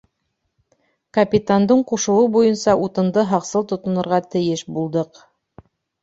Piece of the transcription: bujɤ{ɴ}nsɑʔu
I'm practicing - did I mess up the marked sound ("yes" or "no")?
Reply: yes